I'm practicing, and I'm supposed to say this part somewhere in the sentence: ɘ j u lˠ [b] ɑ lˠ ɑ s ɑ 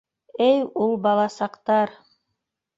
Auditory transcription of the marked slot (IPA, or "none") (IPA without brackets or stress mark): b